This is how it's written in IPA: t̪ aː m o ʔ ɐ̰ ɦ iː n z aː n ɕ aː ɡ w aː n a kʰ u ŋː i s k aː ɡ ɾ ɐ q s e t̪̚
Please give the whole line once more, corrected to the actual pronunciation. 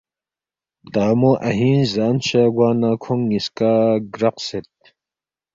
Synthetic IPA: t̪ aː m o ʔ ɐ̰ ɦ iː n z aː n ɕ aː ɡ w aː n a kʰ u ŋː i s k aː ɡ ɾ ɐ q s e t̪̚